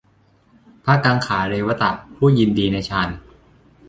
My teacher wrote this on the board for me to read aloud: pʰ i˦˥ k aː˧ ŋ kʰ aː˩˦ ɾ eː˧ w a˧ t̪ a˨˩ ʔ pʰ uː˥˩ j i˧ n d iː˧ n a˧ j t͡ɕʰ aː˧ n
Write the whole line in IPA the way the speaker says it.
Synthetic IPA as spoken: pʰ a˦˥ k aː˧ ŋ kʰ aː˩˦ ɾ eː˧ w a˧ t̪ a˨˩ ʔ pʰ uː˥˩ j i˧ n d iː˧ n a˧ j t͡ɕʰ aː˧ n